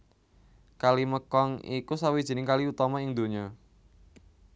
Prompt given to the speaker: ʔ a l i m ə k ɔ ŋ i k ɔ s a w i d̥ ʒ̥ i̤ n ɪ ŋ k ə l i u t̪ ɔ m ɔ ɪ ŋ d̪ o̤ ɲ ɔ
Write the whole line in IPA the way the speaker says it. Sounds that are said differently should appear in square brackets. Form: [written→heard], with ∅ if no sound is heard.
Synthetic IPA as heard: [ʔ→k] a l i m ə k ɔ ŋ i k [ɔ→u] s a w i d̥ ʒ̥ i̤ n ɪ ŋ k [ə→a] l i u t̪ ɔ m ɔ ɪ ŋ d̪ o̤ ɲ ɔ